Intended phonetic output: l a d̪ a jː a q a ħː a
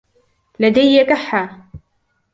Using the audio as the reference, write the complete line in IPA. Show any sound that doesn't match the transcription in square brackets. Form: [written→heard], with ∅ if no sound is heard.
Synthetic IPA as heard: l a d̪ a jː a [q→k] a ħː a

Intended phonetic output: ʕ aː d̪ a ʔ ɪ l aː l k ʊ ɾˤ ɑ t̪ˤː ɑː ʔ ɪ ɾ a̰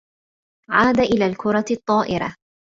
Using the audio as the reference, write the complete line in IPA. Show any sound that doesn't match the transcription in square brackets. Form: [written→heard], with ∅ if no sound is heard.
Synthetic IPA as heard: ʕ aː d̪ a ʔ ɪ l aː l k ʊ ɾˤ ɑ t̪ˤː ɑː ʔ ɪ ɾ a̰

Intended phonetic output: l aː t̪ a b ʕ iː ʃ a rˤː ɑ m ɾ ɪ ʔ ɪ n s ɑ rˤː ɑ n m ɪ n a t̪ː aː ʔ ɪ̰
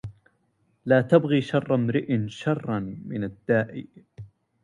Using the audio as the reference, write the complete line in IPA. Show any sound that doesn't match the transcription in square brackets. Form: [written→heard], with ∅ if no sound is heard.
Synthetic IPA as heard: l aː t̪ a b [ʕ→ɣ] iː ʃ [a→ɑ] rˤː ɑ m ɾ ɪ ʔ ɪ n [s→ʃ] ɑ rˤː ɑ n m ɪ n a [t̪ː→d̪ː] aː ʔ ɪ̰

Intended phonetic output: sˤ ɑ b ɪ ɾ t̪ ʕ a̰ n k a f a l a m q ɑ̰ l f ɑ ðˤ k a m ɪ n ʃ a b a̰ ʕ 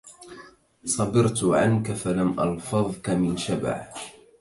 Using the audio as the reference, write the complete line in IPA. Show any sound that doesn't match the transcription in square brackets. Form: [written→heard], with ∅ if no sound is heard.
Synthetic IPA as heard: sˤ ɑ b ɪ ɾ t̪ ʕ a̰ n k a f a l a m [q→ʔ] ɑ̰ l f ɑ ðˤ k a m ɪ n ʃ a b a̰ ʕ

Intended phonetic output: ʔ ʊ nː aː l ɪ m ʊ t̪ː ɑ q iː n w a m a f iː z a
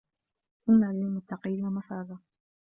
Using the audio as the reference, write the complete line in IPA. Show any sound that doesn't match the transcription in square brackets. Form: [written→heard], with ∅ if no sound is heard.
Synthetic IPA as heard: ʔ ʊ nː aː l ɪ m ʊ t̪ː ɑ q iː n w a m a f [iː→aː] z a

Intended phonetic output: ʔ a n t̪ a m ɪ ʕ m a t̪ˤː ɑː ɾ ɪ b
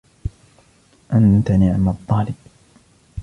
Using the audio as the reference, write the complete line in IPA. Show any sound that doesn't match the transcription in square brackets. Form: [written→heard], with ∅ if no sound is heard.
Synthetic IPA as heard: ʔ a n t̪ a [m→n] ɪ ʕ m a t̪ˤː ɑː [ɾ→l] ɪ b

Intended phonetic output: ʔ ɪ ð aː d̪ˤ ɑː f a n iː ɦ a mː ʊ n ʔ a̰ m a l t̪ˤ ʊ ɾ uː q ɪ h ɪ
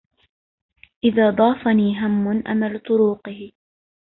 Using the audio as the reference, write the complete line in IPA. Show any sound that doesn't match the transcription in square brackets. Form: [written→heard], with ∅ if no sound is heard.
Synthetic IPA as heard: ʔ ɪ ð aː d̪ˤ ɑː f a n iː ɦ a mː ʊ n ʔ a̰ m a l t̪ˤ ʊ ɾ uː q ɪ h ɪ

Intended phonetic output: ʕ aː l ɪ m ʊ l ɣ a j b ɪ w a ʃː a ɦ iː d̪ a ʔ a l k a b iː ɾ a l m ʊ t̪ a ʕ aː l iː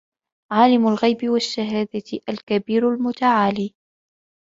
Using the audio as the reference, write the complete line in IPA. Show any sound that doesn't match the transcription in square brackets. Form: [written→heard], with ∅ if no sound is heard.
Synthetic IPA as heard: ʕ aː l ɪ m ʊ l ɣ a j b ɪ w a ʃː a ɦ [iː→aː] d̪ a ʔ a l k a b iː ɾ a l m ʊ t̪ a ʕ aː l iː

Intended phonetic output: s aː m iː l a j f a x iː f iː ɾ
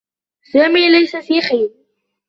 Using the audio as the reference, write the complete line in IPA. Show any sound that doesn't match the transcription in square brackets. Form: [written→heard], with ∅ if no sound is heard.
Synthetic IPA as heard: s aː m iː l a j [f→s] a [x→f] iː [f→x] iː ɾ

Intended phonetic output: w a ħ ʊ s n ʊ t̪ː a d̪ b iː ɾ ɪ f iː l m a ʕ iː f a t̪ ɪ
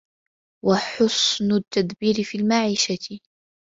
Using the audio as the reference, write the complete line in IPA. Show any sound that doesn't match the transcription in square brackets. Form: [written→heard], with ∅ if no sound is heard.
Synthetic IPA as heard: w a ħ ʊ s n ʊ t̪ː a d̪ b iː ɾ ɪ f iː l m a ʕ iː [f→ʃ] a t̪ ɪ

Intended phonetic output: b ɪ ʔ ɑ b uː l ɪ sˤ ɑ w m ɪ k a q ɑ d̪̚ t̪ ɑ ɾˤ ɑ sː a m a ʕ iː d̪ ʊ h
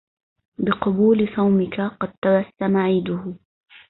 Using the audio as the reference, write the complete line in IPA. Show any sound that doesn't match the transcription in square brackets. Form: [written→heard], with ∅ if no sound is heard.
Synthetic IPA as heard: b ɪ [ʔ→q] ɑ b uː l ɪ sˤ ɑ w m ɪ k a q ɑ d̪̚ t̪ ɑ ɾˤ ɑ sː a m a ʕ iː d̪ ʊ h

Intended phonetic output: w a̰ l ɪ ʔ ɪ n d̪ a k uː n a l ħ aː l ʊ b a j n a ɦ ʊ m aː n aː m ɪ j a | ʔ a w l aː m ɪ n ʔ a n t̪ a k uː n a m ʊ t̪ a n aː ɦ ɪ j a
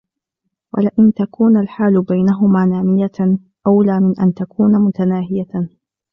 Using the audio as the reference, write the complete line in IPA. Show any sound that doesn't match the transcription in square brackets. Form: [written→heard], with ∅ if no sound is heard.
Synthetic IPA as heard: w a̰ l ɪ ʔ ɪ n [d̪→t̪] a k uː n a l ħ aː l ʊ b a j n a ɦ ʊ m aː n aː m ɪ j a | ʔ a w l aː m ɪ n ʔ a n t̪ a k uː n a m ʊ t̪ a n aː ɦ ɪ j a

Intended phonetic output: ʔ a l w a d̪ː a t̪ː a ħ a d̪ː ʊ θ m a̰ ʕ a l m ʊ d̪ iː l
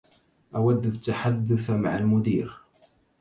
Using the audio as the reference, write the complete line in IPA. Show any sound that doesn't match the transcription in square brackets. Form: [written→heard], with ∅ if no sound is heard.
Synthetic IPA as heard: ʔ a [l→∅] w a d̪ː a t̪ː a ħ a d̪ː ʊ θ m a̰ ʕ a l m ʊ d̪ iː [l→ɾ]

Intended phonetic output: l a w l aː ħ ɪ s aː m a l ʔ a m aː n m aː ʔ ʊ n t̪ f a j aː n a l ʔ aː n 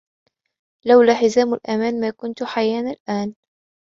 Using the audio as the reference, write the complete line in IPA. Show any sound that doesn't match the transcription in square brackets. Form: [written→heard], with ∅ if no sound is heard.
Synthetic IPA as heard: l a w l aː ħ ɪ [s→z] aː m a l ʔ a m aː n m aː [ʔ→k] ʊ n t̪ [f→ħ] a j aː n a l ʔ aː n

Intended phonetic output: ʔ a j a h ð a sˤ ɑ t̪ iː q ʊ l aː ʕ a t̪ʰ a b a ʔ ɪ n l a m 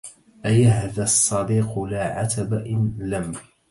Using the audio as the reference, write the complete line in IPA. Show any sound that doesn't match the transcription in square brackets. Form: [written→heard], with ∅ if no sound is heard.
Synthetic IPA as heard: ʔ a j a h ð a [sˤ→sˤː] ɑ [t̪→d̪] iː q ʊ l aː ʕ a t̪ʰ a b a ʔ ɪ n l a m

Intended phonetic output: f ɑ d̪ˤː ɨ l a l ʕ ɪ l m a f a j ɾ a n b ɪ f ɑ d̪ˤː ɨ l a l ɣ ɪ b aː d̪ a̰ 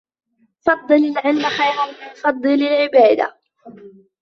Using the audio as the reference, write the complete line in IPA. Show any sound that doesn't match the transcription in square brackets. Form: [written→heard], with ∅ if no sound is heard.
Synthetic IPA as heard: f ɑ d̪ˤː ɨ l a l ʕ ɪ l m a [f→x] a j ɾ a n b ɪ f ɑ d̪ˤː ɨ l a l [ɣ→ʕ] ɪ b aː d̪ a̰

